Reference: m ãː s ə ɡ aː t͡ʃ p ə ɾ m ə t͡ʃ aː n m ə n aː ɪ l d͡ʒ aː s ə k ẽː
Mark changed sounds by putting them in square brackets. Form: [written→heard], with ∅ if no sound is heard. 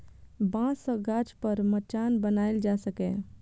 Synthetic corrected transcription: [m→b] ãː s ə ɡ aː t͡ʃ p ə ɾ m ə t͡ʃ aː n [m→b] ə n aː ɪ l d͡ʒ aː s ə k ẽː

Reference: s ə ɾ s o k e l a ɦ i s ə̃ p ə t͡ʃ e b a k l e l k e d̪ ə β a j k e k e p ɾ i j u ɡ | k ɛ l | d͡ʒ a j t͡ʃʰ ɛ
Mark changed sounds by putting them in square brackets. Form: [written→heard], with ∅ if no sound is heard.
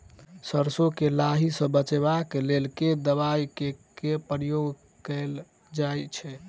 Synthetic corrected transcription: s ə ɾ s o k e l a ɦ i s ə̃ [p→b] ə t͡ʃ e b a k l e l k e d̪ ə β a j k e k e p ɾ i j [u→o] ɡ | k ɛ l | d͡ʒ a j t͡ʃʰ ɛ

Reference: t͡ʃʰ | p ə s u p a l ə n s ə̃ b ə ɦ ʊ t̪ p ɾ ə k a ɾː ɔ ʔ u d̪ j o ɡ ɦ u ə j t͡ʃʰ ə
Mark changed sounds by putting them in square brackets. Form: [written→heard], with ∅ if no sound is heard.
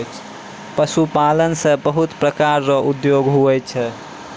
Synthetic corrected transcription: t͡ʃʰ | p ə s u p a l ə n s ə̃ b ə ɦ [ʊ→u] t̪ p ɾ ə k a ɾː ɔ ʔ u d̪ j o ɡ ɦ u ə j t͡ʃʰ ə

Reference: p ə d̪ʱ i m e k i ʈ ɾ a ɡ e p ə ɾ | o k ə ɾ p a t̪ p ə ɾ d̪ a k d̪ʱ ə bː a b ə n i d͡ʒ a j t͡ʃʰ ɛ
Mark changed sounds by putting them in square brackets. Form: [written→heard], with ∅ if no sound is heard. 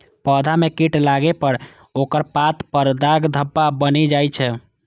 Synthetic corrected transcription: p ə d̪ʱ [i→a] m e k i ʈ [ɾ→l] a ɡ e p ə ɾ | o k ə ɾ p a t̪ p ə ɾ d̪ a [k→ɡ] d̪ʱ ə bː a b ə n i d͡ʒ a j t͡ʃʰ ɛ

